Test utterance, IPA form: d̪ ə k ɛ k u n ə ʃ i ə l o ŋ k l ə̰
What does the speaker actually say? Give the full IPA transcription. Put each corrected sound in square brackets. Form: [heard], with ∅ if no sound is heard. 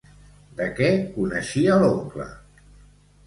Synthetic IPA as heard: d̪ ə k ɛ k u n ə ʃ i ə l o ŋ k l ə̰